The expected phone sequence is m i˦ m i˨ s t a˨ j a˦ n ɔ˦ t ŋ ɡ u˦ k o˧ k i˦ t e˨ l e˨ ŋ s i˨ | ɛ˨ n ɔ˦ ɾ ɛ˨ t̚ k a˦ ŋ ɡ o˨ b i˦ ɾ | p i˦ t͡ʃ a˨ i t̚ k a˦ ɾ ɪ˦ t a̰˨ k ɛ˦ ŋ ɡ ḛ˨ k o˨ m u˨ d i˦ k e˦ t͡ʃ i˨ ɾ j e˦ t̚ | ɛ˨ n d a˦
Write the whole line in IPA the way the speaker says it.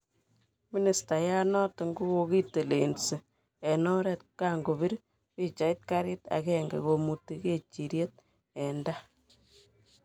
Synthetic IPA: m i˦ n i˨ s t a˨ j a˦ n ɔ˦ t ŋ ɡ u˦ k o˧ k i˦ t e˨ l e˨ n s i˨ | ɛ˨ n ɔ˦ ɾ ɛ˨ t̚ k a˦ ŋ ɡ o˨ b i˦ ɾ | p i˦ t͡ʃ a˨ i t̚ k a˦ ɾ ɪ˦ t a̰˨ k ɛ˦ ŋ ɡ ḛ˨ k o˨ m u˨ t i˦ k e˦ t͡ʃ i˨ ɾ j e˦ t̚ | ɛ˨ n d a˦